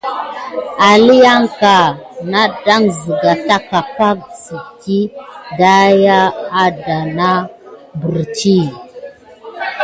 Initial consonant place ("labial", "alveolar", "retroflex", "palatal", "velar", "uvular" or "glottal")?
alveolar